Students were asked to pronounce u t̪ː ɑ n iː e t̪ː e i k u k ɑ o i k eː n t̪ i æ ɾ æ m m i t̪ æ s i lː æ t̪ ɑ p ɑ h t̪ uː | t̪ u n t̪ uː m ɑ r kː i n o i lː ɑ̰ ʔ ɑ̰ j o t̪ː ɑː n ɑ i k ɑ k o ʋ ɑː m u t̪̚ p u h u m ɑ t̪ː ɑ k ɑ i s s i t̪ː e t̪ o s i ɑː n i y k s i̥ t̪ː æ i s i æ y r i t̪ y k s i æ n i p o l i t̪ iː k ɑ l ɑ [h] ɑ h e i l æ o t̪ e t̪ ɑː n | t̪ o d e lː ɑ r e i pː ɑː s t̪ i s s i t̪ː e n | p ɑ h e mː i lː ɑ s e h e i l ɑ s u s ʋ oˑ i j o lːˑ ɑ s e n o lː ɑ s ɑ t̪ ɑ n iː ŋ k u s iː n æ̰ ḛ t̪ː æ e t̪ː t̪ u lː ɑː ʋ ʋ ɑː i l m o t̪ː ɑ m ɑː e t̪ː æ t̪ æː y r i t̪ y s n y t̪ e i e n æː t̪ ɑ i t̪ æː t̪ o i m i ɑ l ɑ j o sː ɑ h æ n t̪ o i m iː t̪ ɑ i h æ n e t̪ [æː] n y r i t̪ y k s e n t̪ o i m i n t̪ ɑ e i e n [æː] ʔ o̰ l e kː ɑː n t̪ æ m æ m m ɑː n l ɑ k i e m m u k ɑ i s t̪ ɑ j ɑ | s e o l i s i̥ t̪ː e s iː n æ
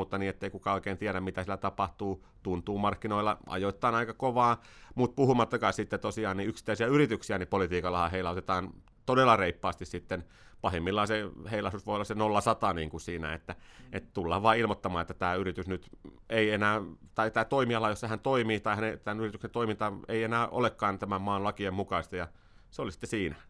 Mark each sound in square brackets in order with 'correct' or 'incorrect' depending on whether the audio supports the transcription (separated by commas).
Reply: correct, incorrect, correct